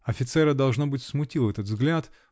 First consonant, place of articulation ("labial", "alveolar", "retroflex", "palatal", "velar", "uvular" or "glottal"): labial